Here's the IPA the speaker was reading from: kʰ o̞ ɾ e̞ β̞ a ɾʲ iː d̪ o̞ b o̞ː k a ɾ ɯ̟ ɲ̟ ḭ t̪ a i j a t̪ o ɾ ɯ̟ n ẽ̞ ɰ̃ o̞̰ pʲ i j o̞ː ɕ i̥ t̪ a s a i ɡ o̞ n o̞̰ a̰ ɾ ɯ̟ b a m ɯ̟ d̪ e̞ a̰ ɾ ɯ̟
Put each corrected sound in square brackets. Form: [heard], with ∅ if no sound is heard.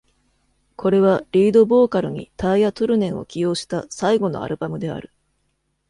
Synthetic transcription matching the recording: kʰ o̞ ɾ e̞ β̞ a ɾʲ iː d̪ o̞ b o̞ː k a ɾ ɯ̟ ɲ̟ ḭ t̪ a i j a t̪ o ɾ ɯ̟ n ẽ̞ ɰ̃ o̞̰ [kʲ] i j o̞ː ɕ i̥ t̪ a s a i ɡ o̞ n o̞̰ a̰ ɾ ɯ̟ b a m ɯ̟ d̪ e̞ a̰ ɾ ɯ̟